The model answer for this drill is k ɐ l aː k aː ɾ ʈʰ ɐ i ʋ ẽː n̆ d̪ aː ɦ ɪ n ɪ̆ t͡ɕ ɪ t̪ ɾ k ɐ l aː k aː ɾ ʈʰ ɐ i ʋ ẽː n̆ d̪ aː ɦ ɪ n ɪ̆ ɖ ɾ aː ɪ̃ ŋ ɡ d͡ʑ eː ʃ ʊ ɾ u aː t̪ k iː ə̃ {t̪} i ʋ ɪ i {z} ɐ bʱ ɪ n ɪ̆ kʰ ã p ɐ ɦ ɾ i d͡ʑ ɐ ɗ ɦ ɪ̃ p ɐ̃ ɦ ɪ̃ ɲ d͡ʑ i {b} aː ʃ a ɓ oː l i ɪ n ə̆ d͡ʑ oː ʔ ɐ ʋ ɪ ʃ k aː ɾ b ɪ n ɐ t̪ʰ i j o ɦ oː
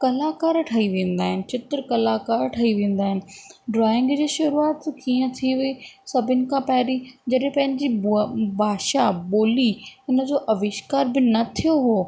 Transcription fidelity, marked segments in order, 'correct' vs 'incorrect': incorrect, incorrect, correct

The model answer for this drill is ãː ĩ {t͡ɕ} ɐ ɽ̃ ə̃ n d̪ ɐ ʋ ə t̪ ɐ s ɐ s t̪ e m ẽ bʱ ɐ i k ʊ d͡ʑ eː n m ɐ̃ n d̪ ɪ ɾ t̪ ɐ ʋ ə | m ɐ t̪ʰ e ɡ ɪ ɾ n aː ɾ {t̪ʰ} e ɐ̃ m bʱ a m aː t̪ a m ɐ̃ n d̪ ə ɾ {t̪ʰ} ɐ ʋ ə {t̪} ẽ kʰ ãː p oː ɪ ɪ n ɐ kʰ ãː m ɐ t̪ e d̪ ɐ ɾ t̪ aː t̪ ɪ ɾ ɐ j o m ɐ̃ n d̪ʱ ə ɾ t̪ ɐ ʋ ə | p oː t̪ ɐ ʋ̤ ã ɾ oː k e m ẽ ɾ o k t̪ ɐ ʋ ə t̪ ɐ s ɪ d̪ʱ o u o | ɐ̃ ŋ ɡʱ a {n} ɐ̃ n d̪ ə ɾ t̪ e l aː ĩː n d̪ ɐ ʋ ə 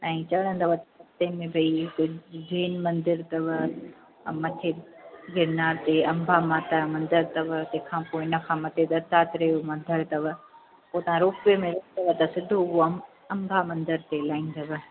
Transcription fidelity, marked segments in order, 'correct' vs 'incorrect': correct, incorrect, incorrect, correct, incorrect

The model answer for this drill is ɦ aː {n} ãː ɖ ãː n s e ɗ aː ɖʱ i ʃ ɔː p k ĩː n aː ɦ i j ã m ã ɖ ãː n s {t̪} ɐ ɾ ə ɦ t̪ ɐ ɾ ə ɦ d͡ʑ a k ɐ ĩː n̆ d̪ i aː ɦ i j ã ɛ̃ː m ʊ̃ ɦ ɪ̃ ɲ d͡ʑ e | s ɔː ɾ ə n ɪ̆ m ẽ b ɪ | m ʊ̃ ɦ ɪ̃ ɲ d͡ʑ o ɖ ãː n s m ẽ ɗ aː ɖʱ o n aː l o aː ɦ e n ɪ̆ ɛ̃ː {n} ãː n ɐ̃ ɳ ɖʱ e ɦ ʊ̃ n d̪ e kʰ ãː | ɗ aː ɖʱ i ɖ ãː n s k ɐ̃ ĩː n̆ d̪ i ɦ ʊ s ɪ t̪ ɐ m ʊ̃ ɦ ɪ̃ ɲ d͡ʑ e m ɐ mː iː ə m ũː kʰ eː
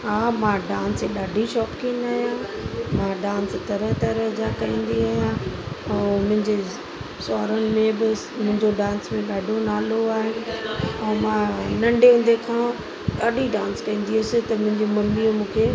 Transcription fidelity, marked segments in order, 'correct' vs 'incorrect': incorrect, correct, incorrect

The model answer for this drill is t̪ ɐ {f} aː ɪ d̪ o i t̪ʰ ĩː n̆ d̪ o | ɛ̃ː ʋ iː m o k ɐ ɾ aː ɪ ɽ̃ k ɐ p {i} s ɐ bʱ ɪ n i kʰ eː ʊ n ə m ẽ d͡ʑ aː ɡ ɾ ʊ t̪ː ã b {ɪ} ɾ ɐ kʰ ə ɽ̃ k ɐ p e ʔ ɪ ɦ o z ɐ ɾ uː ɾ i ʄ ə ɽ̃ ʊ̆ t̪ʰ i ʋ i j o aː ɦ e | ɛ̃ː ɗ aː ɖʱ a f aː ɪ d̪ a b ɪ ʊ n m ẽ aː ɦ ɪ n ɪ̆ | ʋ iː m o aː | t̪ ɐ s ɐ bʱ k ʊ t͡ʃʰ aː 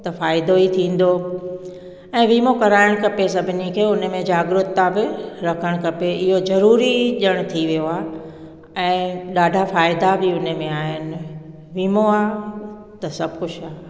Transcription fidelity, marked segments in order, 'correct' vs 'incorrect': correct, incorrect, correct

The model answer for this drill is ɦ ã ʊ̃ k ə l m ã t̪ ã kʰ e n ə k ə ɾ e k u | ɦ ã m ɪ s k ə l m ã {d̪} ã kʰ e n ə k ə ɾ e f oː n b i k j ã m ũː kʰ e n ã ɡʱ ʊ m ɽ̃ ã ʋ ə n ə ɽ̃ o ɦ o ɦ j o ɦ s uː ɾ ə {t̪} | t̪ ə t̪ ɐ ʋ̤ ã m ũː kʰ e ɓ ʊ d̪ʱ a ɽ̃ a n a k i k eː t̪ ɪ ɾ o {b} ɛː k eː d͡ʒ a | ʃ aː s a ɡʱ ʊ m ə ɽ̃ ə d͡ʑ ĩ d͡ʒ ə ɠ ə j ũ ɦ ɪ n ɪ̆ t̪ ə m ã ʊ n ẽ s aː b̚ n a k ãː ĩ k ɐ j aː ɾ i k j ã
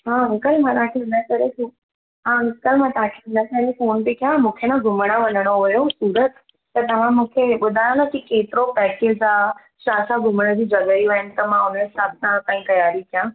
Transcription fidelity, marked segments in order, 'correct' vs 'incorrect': incorrect, correct, incorrect

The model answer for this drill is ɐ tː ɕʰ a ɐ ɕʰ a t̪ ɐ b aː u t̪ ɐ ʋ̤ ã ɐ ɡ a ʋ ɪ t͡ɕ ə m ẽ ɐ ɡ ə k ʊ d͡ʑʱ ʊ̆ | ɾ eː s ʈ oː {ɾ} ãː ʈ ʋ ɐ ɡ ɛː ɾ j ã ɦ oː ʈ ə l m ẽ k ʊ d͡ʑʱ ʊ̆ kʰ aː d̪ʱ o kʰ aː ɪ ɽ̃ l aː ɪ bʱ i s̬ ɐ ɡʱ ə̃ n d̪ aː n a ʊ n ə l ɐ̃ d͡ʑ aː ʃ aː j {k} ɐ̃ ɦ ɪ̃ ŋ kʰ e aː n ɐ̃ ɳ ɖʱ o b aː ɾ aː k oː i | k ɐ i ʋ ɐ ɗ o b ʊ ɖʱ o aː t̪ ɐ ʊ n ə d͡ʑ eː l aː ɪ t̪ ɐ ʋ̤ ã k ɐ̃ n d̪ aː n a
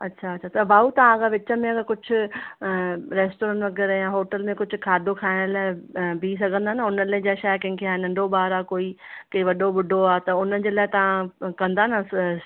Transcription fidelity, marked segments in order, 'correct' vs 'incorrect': correct, correct

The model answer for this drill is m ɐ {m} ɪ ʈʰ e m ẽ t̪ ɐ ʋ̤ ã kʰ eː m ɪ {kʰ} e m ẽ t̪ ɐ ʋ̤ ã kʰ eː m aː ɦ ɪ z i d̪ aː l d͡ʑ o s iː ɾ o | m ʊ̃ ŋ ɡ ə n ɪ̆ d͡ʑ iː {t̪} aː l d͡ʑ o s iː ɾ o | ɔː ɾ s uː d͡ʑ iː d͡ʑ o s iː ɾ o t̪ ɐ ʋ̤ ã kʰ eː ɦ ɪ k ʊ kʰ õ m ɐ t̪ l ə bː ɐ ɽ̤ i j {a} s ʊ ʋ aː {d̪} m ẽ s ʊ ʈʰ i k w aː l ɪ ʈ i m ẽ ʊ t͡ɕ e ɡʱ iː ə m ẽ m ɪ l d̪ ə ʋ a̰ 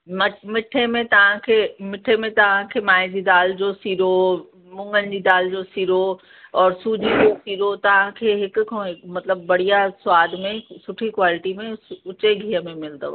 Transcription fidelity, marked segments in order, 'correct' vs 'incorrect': correct, incorrect, incorrect, correct, correct

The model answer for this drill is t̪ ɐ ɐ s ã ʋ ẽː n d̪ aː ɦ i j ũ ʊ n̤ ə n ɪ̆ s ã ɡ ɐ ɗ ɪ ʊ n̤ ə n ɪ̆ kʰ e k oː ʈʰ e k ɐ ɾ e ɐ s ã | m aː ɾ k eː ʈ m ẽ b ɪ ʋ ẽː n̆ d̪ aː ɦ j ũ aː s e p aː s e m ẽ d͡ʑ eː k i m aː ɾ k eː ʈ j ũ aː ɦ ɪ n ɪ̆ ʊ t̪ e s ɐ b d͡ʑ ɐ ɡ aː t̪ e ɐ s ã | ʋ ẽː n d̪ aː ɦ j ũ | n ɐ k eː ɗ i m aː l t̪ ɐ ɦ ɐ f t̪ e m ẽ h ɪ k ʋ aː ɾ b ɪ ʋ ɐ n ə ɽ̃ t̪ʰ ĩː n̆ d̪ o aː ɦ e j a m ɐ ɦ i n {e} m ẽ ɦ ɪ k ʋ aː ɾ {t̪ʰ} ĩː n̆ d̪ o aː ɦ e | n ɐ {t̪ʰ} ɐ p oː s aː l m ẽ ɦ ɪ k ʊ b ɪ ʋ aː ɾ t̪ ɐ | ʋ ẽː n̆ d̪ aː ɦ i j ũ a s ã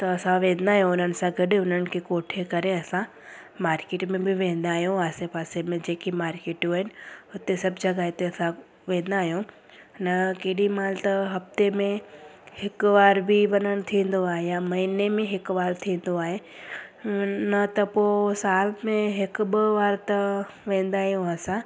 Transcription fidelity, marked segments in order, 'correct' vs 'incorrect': correct, correct, incorrect

